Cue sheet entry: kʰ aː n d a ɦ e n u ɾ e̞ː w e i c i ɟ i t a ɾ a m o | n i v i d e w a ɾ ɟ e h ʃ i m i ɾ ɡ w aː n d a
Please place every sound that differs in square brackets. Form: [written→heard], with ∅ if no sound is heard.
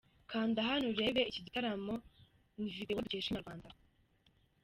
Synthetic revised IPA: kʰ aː n d a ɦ [e→a] n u ɾ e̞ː [w→β] e i c i ɟ i t a ɾ a m o | n i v i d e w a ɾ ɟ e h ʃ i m [i→a] ɾ ɡ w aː n d a